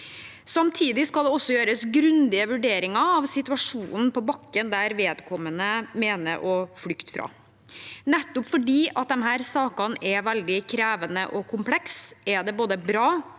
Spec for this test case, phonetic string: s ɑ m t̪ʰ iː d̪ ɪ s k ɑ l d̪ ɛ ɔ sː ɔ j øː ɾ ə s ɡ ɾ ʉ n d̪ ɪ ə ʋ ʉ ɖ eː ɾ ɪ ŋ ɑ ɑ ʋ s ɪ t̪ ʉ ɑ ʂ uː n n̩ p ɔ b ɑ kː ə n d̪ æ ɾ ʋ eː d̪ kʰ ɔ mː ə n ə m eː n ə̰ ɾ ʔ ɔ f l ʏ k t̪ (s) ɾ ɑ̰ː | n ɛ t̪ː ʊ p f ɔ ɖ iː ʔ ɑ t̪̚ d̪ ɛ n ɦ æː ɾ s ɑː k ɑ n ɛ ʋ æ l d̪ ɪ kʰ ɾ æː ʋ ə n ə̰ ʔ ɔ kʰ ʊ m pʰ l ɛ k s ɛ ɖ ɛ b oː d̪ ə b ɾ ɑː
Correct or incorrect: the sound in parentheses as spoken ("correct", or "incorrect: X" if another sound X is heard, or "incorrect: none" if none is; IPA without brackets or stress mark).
incorrect: f